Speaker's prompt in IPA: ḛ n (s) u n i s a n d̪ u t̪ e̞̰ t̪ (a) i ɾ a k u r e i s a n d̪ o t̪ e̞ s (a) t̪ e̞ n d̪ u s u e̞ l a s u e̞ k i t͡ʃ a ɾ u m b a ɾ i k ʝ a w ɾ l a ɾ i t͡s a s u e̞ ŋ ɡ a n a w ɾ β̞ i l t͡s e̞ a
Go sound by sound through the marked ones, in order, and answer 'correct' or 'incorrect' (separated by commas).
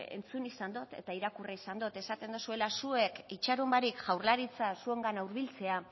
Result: incorrect, correct, correct